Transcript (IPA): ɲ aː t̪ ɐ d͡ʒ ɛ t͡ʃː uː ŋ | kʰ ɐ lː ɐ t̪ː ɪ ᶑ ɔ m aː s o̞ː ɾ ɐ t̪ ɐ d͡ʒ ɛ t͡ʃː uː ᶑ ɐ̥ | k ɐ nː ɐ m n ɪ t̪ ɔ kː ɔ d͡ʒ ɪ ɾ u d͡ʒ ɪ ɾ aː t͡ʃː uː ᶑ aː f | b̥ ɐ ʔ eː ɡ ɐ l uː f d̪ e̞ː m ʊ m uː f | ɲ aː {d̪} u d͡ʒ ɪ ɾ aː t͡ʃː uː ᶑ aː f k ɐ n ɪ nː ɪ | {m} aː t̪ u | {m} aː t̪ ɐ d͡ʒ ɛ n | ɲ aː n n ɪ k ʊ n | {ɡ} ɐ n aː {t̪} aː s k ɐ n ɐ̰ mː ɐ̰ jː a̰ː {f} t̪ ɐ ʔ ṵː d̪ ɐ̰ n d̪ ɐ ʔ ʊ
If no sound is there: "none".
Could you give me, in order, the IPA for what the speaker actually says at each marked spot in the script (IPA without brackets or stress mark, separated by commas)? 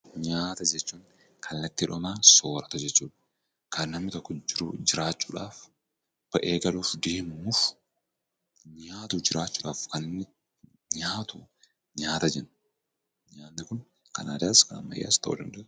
t̪, ɲ, ɲ, k, d̪, s